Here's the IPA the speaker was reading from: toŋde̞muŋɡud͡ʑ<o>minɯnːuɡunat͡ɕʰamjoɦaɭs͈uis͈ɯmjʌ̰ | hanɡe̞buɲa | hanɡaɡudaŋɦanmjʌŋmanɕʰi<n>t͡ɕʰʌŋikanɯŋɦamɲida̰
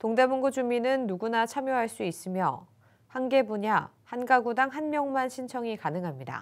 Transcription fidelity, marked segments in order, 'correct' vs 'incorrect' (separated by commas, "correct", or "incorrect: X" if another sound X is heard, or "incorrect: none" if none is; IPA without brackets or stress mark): incorrect: u, correct